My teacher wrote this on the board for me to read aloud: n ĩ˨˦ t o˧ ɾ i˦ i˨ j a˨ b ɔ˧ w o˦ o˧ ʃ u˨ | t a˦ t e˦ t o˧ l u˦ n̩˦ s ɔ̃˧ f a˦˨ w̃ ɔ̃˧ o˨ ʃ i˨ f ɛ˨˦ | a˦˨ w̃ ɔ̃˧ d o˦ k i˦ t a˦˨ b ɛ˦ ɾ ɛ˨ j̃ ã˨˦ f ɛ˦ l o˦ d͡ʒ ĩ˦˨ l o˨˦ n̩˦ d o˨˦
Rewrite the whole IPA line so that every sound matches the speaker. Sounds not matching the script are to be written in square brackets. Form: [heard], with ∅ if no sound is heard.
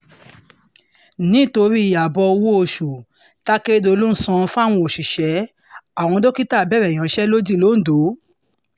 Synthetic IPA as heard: n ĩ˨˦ t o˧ ɾ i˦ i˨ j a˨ b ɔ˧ w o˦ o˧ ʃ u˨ | t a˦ [k] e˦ [d] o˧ l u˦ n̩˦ s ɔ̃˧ f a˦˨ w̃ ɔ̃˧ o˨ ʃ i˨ [ʃ] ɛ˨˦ | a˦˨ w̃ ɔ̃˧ d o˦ k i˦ t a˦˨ b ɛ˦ ɾ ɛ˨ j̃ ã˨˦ [ʃ] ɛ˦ l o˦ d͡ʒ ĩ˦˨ l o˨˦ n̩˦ d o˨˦